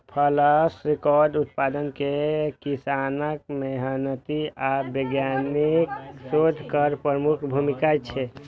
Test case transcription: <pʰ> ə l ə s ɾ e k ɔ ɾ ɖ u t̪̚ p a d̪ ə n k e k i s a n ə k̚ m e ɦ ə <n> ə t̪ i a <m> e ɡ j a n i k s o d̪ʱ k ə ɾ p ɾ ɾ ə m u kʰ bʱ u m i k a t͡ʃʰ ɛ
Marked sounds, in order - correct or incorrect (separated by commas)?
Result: correct, correct, incorrect